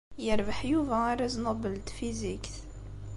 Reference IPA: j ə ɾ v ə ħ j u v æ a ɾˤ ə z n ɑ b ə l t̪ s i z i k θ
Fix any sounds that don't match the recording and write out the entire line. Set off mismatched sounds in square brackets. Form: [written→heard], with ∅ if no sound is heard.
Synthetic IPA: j ə ɾ v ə ħ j u v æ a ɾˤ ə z n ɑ b ə l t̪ [s→f] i z i k θ